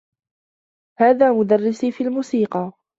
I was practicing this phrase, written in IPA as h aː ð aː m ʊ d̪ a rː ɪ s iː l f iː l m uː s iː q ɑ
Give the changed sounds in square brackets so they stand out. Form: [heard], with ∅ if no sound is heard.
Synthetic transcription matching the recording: h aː ð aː m ʊ d̪ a rː ɪ s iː [∅] f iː l m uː s iː q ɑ

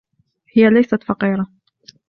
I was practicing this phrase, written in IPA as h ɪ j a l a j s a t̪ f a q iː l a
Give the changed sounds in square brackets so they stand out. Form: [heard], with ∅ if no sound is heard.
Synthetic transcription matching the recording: h ɪ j a l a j s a t̪ f [ɑ] q iː [ɾ] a

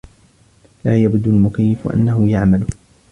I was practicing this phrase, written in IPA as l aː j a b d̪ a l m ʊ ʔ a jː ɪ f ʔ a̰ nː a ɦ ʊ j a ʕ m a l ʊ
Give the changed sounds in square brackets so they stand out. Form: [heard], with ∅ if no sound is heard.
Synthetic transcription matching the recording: l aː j a b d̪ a l m ʊ [k] a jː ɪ f ʔ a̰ nː a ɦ ʊ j a ʕ m a l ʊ

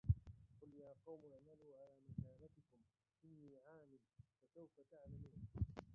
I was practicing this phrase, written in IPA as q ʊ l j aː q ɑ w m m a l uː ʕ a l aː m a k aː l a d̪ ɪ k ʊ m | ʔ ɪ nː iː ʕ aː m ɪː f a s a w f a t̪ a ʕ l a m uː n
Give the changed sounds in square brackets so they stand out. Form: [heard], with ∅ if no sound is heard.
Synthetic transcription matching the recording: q ʊ l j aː q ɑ w m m a l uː ʕ a l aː m a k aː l a [t̪] ɪ k ʊ m | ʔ ɪ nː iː ʕ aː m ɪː f a s a w f a t̪ a ʕ l a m uː n

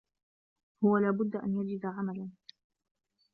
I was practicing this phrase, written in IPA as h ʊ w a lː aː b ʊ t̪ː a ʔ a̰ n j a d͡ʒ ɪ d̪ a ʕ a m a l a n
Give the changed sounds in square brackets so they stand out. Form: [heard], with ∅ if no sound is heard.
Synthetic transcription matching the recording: h ʊ w a [l] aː b ʊ [d̪ː] a ʔ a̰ n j a d͡ʒ ɪ d̪ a ʕ a m a l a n

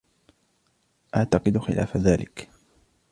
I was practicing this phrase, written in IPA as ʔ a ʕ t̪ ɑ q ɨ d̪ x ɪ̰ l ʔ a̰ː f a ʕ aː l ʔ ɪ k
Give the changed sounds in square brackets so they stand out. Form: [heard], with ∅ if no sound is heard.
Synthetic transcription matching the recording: ʔ a ʕ t̪ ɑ q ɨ d̪ x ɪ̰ l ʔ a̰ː f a [ð] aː l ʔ ɪ k

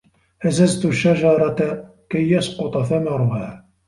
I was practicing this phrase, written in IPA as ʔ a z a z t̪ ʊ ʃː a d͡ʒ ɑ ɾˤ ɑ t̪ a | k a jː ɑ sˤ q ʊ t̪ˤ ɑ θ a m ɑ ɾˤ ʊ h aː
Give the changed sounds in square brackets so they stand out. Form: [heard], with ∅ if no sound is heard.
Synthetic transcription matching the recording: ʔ a z a z t̪ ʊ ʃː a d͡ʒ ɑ ɾˤ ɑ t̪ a | k a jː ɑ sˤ q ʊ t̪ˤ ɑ θ a m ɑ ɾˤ ʊ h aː

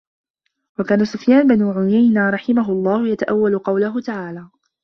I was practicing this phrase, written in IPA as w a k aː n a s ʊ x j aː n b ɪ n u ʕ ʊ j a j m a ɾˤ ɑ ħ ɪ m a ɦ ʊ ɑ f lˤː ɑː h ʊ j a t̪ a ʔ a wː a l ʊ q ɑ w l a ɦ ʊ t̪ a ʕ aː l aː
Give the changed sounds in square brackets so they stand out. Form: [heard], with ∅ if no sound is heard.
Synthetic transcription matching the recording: w a k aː n a s ʊ [f] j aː n b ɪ n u ʕ ʊ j a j [n] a ɾˤ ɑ ħ ɪ m a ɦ ʊ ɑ [∅] lˤː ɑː h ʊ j a t̪ a ʔ a wː a l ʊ q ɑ w l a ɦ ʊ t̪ a ʕ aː l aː

